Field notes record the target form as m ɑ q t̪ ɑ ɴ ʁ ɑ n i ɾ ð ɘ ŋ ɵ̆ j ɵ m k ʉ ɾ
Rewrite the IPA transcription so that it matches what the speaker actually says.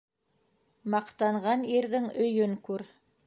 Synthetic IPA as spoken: m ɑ q t̪ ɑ ɴ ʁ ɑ n i ɾ ð ɘ ŋ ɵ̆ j ɵ ŋ k ʉ ɾ